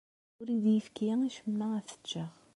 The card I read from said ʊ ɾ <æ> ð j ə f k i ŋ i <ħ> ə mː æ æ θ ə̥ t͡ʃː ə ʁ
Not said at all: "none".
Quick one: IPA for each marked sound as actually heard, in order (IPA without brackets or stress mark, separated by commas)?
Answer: i, ʃ